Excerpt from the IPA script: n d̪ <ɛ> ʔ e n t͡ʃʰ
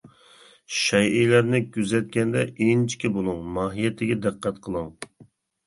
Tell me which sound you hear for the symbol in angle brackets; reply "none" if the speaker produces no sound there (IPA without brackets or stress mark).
ɛ